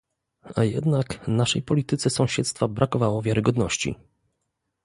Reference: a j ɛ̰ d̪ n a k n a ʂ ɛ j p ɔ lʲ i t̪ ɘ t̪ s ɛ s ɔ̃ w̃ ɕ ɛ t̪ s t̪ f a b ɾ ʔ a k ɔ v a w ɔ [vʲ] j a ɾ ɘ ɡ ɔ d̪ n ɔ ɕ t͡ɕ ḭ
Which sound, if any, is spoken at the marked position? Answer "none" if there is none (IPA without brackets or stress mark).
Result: vʲ